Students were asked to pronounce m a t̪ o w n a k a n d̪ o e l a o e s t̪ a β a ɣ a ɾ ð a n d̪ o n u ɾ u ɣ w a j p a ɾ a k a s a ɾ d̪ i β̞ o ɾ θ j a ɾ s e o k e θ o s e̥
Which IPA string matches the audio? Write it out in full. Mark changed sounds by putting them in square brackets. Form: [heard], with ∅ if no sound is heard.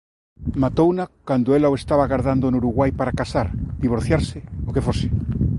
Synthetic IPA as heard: m a t̪ o w n a k a n d̪ o e l a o e s t̪ a β a ɣ a ɾ ð a n d̪ o n u ɾ u ɣ w a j p a ɾ a k a s a ɾ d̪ i β̞ o ɾ θ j a ɾ s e o k e [f] o s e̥